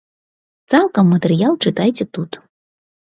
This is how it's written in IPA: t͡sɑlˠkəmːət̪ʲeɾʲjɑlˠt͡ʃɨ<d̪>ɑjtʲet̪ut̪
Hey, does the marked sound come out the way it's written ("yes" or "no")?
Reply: no